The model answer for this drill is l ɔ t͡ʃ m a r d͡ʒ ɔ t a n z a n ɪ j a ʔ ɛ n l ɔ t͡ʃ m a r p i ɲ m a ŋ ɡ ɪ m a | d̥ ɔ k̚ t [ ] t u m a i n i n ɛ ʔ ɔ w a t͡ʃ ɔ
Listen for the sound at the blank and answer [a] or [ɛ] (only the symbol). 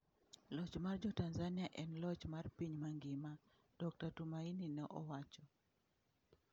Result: a